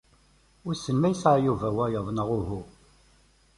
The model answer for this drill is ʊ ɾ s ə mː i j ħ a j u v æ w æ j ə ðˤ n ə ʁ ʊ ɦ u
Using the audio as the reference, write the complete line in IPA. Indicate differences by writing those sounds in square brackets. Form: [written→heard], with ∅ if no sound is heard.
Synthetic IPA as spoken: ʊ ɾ s ə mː [i→æ] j [ħ→s] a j u v æ w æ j ə ðˤ n ə ʁ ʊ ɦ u